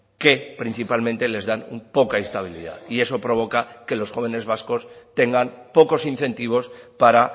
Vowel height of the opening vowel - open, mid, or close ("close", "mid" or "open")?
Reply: mid